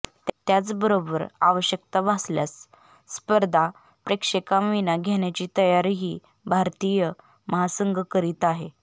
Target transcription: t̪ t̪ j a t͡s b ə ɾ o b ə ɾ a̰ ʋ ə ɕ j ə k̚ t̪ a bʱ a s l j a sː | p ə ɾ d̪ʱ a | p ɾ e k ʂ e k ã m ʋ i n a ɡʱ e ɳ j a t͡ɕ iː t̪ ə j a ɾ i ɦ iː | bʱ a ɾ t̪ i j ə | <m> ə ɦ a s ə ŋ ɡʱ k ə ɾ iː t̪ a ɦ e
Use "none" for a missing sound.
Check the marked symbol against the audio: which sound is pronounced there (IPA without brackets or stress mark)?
m